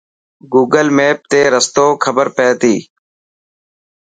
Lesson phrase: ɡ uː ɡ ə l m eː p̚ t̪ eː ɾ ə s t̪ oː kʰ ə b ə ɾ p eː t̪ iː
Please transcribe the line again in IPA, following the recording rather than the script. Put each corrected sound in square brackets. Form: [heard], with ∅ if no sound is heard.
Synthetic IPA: ɡ uː ɡ ə l m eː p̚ t̪ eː ɾ ə s t̪ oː kʰ ə b ə ɾ p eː t̪ iː